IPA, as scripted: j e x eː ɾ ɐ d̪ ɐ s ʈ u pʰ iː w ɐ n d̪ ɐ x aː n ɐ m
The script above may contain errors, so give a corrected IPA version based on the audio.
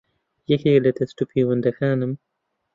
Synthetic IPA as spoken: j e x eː l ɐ t̪ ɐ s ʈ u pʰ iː w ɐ n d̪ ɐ x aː n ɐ m